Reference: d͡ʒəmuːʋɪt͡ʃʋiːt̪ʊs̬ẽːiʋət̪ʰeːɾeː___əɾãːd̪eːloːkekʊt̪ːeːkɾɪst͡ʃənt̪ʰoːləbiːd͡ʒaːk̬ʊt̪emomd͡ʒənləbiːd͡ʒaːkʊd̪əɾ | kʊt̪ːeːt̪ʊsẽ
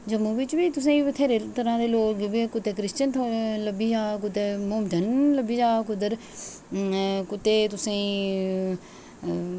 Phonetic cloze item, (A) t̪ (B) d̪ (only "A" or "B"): A